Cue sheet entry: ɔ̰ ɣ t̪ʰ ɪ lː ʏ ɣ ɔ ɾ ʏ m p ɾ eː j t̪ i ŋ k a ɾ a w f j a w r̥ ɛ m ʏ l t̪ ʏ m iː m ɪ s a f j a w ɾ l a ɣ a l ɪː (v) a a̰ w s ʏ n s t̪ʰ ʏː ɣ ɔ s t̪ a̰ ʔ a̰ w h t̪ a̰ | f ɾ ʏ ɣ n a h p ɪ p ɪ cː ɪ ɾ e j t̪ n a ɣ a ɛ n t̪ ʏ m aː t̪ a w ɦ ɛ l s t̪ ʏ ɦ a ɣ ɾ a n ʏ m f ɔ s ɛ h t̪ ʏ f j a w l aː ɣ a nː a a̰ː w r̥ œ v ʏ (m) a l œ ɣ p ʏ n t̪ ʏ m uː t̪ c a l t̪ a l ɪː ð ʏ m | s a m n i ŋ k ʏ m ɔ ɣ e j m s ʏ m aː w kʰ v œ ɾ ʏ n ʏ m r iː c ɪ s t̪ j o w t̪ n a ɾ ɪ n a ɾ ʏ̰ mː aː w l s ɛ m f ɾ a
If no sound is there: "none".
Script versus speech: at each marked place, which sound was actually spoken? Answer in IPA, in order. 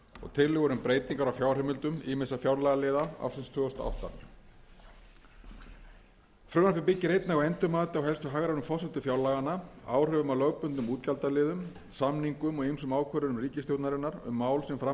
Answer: ð, m

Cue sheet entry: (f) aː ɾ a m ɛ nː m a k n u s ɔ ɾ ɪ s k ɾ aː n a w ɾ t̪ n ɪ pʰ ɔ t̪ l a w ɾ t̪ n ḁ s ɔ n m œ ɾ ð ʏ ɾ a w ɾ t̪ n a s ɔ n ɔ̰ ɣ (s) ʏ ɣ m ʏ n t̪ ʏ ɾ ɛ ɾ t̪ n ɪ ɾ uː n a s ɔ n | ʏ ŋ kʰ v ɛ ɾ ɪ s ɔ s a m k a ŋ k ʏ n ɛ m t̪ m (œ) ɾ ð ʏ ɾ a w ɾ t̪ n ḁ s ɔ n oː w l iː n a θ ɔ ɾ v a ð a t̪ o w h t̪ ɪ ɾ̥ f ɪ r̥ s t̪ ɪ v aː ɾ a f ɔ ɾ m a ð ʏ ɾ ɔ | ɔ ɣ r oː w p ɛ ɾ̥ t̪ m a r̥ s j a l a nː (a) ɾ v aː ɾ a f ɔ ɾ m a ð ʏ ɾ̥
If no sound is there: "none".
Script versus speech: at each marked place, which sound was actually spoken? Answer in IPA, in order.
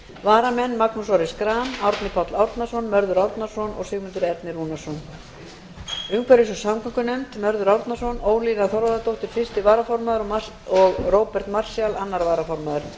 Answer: v, s, œ, a

